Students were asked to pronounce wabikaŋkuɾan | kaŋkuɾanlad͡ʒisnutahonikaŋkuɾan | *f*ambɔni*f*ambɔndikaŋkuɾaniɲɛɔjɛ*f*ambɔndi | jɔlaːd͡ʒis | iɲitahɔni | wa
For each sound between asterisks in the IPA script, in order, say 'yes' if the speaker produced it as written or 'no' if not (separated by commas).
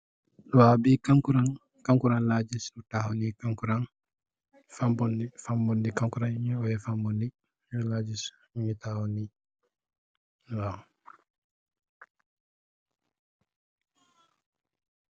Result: yes, yes, yes